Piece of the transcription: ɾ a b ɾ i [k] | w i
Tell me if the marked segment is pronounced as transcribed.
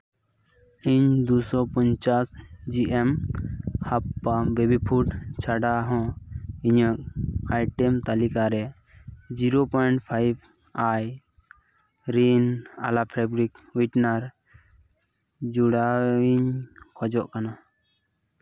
yes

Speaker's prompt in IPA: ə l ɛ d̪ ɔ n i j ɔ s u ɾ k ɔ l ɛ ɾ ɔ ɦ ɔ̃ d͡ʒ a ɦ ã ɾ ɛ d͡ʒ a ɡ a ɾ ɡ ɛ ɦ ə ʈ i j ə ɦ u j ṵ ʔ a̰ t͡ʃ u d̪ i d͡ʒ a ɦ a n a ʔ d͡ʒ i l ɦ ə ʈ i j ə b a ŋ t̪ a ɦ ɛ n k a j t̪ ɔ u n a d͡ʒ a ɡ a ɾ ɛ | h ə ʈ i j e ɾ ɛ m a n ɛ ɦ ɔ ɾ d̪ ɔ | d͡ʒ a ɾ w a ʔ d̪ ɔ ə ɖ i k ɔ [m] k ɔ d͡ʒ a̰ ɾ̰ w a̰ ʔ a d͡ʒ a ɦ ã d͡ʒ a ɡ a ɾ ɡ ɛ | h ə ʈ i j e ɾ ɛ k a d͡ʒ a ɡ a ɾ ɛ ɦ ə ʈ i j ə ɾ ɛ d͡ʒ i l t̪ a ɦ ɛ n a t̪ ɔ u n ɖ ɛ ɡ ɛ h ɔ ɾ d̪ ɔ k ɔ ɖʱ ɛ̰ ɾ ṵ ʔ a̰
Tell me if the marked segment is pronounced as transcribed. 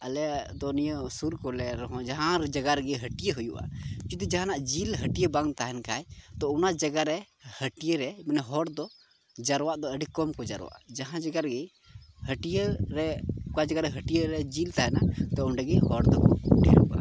yes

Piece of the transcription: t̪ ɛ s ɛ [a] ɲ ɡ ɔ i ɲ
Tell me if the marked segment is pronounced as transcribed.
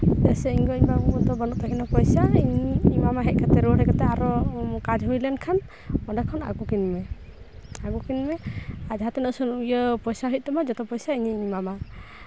no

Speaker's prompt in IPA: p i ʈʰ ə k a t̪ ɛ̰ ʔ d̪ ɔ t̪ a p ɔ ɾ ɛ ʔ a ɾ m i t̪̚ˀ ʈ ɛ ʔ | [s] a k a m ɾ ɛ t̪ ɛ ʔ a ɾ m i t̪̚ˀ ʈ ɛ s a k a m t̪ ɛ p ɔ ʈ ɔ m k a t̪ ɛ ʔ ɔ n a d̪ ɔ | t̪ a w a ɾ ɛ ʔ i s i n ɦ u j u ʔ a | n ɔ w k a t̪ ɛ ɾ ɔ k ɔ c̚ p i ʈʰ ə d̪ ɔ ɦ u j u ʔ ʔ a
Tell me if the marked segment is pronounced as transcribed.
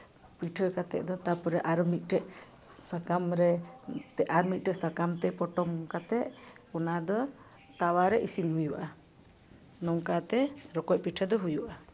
yes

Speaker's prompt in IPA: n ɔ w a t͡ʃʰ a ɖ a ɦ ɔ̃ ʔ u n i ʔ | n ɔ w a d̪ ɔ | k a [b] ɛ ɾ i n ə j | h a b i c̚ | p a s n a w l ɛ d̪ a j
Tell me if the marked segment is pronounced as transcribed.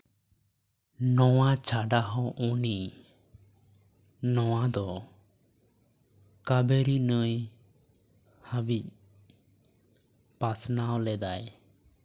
yes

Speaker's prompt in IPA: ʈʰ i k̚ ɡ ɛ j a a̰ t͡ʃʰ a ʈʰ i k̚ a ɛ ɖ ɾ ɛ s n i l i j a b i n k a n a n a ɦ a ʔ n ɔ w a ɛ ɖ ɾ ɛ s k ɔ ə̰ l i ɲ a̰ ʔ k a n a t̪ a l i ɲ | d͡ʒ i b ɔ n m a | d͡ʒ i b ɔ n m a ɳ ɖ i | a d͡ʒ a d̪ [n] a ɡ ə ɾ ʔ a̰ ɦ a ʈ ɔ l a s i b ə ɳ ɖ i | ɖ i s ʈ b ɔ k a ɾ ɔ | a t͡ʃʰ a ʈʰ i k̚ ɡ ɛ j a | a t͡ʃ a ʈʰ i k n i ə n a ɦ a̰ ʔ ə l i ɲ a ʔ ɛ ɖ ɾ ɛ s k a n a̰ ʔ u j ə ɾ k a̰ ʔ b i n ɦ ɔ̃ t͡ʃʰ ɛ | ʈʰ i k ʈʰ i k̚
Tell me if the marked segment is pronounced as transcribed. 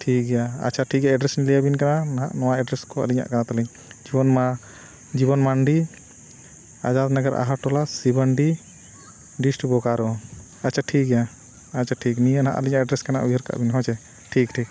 yes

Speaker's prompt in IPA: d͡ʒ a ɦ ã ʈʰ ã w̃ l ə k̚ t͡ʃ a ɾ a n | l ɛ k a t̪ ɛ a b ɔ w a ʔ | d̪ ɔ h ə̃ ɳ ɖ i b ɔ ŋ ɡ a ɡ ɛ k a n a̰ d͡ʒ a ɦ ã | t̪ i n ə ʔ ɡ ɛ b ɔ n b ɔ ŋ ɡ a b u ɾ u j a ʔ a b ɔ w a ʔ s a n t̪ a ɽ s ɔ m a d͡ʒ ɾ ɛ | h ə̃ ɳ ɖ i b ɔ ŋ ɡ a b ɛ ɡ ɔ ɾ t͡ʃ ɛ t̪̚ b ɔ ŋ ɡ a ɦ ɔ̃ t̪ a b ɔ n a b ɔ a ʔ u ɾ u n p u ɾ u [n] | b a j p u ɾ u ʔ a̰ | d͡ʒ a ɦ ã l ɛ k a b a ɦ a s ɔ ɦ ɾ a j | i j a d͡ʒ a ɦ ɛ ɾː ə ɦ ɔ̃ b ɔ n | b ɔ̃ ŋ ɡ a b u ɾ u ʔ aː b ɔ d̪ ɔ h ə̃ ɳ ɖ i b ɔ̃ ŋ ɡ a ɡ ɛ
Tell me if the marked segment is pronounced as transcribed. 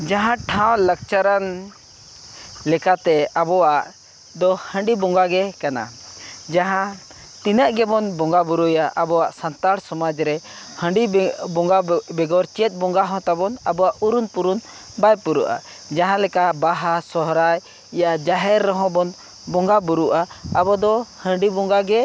yes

